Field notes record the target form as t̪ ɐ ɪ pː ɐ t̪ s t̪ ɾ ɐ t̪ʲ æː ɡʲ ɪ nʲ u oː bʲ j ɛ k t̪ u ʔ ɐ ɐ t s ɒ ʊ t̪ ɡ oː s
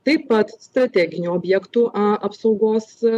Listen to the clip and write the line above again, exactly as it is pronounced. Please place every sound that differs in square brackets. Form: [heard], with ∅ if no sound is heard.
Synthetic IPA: t̪ ɐ ɪ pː ɐ t̪ s t̪ ɾ ɐ t̪ʲ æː ɡʲ ɪ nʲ u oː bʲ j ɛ k t̪ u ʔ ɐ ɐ [p] s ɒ ʊ [∅] ɡ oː s